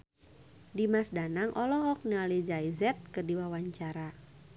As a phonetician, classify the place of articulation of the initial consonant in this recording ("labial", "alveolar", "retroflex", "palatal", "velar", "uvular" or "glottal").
alveolar